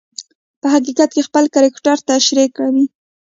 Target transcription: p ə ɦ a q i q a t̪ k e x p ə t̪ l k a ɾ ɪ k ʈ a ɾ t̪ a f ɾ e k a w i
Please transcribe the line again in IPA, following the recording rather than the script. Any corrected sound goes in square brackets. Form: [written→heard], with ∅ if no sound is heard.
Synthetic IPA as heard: p ə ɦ a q i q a t̪ k e x p ə [t̪→∅] l k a ɾ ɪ k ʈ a ɾ t̪ a [f→ʃ] ɾ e k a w i